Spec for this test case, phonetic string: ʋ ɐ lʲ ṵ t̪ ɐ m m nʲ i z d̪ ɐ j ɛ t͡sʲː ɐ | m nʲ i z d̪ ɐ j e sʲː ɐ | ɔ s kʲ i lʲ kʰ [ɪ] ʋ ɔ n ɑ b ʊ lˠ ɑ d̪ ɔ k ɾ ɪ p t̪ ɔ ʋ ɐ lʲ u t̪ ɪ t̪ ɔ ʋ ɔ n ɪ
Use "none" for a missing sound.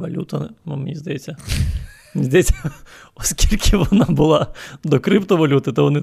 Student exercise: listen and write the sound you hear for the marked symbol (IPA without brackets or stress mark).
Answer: ɪ